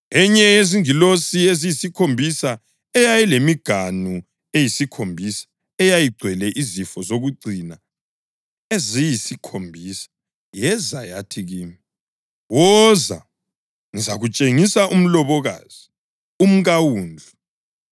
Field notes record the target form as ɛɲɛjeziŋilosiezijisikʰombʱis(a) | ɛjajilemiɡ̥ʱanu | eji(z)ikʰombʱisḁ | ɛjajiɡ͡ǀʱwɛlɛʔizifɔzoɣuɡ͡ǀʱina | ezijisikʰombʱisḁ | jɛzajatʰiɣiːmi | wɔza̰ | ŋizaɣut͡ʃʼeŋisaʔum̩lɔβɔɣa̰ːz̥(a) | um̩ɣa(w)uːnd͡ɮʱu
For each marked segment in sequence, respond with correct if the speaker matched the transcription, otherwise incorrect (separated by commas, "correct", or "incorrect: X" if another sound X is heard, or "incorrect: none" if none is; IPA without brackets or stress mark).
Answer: correct, incorrect: s, incorrect: i, correct